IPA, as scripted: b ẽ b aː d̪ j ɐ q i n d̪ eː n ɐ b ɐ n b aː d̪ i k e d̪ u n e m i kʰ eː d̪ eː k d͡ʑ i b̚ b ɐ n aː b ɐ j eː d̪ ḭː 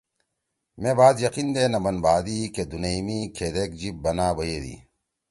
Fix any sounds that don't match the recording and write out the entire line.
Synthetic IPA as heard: m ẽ b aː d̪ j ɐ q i n d̪ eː n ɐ b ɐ n b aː d̪ i k e d̪ u n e m i kʰ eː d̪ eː k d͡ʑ i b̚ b ɐ n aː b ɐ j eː d̪ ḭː

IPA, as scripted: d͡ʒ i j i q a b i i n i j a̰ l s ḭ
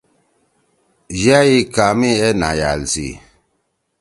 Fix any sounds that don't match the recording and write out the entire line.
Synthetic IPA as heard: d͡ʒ a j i k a m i ɛ n a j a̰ l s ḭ

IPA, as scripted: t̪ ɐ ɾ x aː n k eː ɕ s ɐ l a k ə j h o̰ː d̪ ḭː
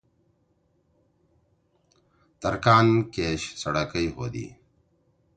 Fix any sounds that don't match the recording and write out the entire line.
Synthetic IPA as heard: t̪ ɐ ɾ k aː n k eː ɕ s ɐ ɽ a k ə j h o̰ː d̪ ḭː

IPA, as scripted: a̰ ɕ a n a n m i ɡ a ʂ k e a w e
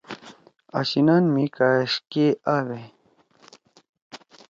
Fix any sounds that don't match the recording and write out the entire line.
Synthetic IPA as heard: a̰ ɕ i n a n m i k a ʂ k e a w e

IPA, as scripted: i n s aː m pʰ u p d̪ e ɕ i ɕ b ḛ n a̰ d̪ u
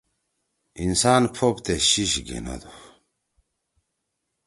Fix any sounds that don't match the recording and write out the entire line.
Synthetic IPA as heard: i n s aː n pʰ o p t̪ e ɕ i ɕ ɡ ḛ n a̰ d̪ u

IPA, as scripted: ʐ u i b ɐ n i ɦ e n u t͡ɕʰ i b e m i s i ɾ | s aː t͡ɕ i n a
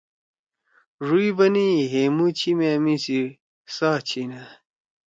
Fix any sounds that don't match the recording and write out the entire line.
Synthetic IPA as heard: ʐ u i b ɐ n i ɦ e m u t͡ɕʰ i m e m i s i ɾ | s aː t͡ɕʰ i n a

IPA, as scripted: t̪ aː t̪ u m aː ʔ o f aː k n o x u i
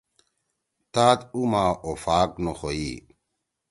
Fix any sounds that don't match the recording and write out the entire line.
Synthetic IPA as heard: t̪ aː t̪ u m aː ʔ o f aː k n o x o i

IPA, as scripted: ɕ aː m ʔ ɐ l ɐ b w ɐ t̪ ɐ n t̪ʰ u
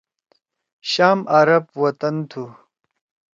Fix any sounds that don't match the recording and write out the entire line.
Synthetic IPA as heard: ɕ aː m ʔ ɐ ɾ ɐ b w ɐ t̪ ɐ n t̪ʰ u

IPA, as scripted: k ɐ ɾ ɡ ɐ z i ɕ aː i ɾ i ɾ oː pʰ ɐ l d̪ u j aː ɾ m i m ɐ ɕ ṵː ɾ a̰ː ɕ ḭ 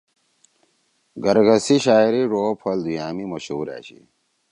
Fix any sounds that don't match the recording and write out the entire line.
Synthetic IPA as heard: ɡ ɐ ɾ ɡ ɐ s i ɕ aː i ɾ i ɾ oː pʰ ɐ l d̪ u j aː m i m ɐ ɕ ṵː ɾ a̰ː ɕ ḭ

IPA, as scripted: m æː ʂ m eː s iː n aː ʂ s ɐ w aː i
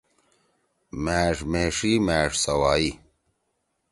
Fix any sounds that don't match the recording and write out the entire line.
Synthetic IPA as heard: m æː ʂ m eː ʂ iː m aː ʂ s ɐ w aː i

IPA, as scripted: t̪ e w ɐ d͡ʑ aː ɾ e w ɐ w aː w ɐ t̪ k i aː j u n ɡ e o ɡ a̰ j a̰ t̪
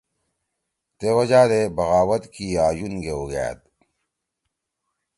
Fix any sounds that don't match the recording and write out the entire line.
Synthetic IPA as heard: t̪ e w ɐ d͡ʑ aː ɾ e b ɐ ɣ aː w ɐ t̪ k i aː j u n ɡ e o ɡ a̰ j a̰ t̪

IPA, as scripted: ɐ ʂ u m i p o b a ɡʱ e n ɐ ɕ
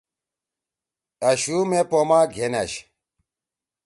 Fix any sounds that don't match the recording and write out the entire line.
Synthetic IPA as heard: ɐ ɕ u m e p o m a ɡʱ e n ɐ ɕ

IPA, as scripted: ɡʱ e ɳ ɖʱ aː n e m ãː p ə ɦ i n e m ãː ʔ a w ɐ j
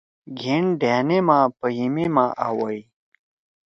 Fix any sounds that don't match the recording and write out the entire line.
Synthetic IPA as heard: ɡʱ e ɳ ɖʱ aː n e m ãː p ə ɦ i m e m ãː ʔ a w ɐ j

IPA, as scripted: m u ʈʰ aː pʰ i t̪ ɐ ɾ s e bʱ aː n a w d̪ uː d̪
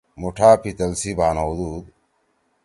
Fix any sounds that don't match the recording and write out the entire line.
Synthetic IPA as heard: m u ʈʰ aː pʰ i t̪ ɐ l s i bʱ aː n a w d̪ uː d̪

